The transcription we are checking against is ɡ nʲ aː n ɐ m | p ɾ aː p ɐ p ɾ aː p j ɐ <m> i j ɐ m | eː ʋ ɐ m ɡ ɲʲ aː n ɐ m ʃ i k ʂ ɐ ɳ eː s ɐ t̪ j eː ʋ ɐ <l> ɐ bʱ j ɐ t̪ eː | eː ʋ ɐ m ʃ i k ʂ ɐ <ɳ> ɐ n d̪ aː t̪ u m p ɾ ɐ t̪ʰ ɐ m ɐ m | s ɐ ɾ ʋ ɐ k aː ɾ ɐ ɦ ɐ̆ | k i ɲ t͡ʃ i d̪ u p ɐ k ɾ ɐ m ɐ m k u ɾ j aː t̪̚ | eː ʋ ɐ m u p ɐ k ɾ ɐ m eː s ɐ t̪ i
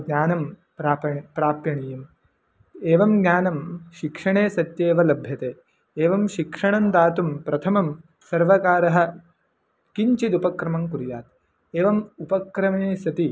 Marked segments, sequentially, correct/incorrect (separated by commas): incorrect, correct, correct